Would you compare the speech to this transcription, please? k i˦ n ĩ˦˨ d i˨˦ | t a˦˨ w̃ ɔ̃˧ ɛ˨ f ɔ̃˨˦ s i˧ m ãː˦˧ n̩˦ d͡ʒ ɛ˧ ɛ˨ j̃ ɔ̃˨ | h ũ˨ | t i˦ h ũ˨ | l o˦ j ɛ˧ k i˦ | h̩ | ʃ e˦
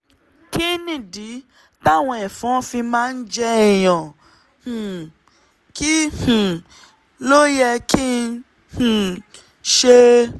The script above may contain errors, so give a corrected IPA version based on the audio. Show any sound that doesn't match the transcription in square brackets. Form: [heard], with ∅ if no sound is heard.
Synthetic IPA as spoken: k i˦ n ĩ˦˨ d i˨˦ | t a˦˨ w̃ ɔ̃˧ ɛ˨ f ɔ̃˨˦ [f] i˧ m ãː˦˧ n̩˦ d͡ʒ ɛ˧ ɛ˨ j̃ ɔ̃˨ | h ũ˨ | [k] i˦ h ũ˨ | l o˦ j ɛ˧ k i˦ | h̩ | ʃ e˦